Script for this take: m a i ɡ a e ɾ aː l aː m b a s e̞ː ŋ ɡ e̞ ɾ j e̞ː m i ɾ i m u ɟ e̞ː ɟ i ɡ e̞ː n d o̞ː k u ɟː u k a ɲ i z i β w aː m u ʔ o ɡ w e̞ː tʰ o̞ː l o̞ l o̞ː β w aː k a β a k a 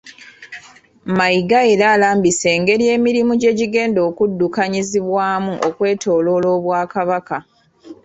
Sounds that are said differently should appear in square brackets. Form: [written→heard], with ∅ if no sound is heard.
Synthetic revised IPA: m a i ɡ a e ɾ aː l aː m b [a→i] s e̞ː ŋ ɡ e̞ ɾ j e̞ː m i ɾ i m u ɟ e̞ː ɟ i ɡ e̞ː n d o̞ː k u [ɟː→dː] u k a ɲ i z i β w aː m u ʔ o [ɡ→k] w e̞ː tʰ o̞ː l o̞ l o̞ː β w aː k a β a k a